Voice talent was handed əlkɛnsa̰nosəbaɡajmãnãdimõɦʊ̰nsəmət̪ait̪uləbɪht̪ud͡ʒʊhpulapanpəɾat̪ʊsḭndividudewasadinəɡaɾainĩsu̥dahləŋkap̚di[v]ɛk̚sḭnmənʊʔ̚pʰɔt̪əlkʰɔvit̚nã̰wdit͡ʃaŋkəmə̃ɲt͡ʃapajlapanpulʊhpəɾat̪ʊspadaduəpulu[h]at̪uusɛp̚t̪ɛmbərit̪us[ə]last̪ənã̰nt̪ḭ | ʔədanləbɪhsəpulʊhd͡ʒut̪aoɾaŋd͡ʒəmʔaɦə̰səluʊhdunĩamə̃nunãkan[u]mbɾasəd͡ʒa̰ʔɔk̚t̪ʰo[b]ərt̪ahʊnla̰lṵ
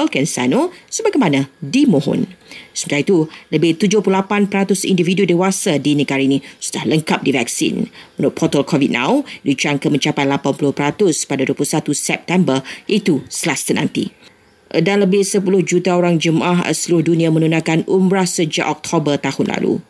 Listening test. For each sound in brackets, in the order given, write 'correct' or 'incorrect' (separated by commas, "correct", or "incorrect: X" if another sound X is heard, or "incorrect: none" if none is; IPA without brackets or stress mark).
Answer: correct, incorrect: s, correct, correct, correct